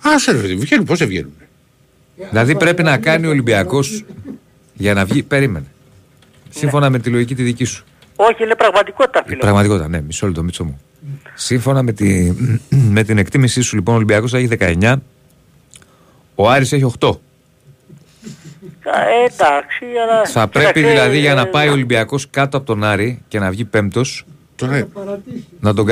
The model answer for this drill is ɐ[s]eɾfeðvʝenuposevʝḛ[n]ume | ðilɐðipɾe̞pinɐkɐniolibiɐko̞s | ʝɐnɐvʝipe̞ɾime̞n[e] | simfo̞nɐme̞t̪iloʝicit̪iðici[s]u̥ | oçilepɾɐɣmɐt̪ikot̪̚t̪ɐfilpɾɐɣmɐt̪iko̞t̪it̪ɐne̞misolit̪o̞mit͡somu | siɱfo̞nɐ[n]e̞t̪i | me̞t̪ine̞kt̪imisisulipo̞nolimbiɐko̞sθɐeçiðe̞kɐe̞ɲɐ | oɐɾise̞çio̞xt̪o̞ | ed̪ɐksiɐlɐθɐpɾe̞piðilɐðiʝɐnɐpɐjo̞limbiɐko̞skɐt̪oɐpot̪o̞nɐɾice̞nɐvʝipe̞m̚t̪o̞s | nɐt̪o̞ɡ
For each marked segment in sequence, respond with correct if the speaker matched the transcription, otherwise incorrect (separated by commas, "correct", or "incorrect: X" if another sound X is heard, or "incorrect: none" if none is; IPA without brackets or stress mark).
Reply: correct, correct, correct, correct, incorrect: m